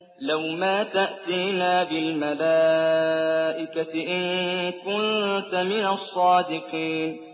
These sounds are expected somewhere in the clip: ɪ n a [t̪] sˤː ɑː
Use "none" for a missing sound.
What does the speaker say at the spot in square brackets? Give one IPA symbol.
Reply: none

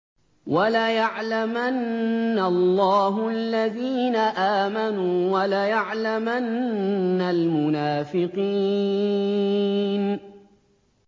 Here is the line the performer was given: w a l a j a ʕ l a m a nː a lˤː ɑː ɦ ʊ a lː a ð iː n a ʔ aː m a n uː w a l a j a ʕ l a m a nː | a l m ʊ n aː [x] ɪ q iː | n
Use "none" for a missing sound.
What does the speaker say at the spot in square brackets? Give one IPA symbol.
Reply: f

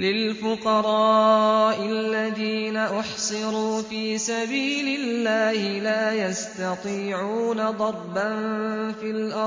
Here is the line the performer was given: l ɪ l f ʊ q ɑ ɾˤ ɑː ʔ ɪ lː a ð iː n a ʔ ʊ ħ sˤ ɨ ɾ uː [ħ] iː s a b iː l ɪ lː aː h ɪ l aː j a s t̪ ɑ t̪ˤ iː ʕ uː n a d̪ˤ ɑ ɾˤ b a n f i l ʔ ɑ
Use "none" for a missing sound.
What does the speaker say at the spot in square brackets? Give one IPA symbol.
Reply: f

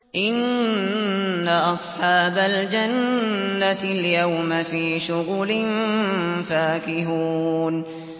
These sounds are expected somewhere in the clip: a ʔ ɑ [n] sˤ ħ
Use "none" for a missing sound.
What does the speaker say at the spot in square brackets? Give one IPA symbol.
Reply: none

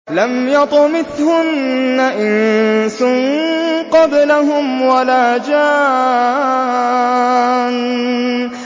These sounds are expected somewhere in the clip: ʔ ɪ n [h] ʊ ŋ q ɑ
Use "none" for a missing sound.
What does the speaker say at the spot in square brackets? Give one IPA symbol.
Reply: s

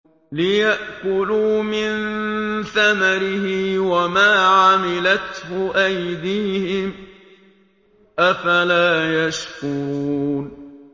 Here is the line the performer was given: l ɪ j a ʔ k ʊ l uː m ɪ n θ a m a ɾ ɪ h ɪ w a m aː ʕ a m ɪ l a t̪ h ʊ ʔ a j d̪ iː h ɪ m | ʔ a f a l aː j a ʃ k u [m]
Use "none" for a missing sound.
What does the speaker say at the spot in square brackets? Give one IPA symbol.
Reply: n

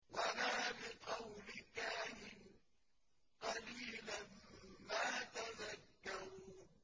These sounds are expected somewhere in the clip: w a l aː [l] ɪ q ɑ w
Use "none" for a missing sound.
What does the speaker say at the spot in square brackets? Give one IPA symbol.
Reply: l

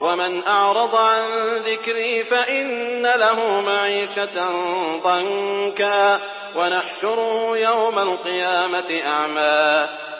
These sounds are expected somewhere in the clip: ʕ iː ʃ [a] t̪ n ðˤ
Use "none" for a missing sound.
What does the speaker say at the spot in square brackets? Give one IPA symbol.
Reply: a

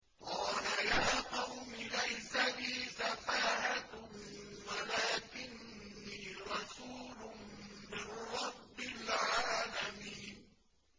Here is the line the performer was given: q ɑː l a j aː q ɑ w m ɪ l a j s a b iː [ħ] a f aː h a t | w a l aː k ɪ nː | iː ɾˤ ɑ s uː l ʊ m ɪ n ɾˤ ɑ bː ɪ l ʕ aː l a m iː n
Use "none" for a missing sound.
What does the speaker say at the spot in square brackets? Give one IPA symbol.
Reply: s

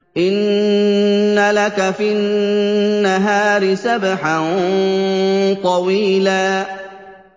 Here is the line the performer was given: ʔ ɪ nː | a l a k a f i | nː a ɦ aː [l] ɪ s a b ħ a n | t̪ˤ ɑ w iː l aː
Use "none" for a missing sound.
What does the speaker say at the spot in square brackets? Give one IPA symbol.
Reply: ɾ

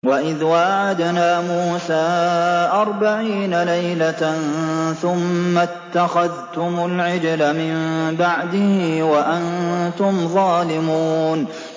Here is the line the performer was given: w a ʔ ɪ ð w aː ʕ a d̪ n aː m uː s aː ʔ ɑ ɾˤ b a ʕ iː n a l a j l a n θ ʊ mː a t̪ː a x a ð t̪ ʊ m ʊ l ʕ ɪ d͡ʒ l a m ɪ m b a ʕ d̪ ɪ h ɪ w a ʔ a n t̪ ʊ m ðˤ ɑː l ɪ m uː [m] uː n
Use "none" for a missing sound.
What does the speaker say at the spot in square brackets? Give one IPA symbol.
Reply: none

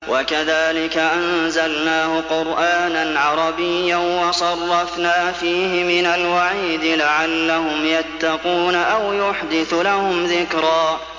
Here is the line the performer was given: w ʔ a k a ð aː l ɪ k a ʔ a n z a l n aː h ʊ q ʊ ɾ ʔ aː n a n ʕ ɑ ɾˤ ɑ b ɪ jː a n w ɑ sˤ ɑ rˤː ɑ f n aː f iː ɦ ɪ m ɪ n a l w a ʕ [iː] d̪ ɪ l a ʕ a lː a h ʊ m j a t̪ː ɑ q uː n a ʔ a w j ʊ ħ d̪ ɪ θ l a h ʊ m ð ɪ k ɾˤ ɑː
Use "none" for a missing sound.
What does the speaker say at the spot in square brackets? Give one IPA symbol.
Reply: iː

